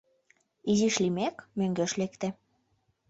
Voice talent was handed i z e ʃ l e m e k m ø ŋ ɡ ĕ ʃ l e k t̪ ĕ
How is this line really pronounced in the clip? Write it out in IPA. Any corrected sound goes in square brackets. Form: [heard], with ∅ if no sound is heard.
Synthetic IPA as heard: i z [i] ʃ l [i] m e k m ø ŋ ɡ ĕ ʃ l e k t̪ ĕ